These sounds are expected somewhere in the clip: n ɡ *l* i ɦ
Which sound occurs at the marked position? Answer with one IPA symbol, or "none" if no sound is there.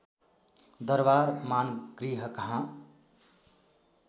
ɾ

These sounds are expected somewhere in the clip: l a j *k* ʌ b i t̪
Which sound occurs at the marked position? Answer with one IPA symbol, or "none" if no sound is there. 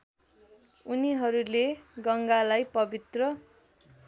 p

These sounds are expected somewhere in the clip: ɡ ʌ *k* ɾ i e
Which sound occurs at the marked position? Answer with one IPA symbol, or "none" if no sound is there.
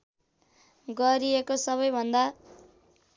none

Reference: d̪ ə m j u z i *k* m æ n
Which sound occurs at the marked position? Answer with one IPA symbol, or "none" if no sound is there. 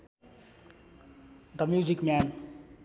k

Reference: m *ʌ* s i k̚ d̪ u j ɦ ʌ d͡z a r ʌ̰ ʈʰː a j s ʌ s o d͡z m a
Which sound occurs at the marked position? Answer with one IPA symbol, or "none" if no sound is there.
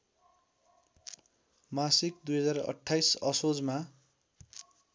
a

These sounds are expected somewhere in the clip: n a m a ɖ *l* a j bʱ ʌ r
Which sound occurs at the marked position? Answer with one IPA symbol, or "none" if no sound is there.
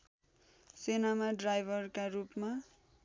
r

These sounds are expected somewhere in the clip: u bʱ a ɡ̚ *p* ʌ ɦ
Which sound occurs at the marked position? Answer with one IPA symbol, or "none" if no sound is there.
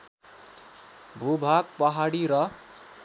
p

